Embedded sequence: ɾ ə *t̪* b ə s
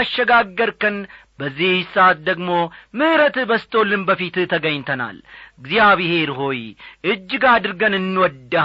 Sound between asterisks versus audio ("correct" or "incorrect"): correct